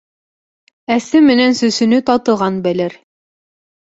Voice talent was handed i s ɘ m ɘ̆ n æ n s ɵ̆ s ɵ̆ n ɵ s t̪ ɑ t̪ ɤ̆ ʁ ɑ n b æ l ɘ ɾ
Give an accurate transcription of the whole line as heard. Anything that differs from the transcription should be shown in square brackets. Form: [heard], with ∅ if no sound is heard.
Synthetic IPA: [æ] s ɘ m ɘ̆ n æ n s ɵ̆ s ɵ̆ n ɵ [∅] t̪ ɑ t̪ ɤ̆ ʁ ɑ n b æ l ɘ ɾ